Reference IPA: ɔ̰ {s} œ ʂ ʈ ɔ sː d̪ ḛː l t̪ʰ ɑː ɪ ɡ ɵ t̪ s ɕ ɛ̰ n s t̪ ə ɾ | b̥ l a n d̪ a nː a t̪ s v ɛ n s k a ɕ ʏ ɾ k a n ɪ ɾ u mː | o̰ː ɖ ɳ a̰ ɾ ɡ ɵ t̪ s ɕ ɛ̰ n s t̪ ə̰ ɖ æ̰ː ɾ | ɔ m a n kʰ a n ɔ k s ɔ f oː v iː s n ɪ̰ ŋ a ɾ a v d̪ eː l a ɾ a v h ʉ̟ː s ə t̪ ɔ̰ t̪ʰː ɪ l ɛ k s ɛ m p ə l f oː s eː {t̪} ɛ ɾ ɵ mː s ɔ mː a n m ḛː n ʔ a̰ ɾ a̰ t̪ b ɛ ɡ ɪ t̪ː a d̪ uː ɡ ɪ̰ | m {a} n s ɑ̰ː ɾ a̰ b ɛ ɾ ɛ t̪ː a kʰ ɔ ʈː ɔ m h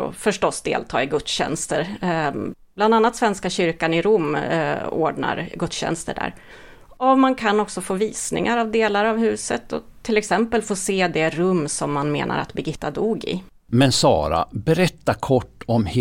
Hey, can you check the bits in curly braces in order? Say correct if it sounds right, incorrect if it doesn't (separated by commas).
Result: incorrect, incorrect, incorrect